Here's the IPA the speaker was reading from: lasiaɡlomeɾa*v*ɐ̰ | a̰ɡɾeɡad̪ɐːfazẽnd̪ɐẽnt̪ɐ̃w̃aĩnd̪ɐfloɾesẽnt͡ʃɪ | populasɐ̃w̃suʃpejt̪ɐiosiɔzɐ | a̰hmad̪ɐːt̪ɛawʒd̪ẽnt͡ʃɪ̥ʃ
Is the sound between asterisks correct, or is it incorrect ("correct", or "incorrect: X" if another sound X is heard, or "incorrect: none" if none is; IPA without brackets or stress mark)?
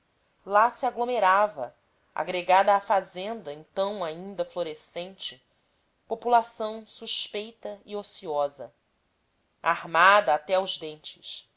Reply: correct